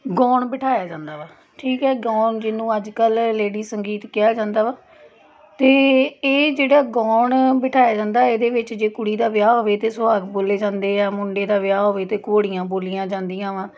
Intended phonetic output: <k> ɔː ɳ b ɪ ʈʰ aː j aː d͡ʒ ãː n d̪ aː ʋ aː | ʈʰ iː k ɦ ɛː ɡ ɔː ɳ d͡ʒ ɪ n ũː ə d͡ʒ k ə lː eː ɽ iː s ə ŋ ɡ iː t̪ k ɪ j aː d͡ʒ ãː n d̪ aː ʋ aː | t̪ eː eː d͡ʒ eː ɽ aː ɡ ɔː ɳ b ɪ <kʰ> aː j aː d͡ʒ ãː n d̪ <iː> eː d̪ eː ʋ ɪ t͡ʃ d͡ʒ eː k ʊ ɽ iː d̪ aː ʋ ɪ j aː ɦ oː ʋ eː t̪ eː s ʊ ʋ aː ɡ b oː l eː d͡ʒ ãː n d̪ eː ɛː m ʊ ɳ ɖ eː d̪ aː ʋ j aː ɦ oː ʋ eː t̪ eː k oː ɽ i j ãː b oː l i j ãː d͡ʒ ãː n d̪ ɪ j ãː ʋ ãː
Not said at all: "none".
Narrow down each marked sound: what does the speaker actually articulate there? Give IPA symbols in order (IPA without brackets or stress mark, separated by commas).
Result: ɡ, ʈʰ, aː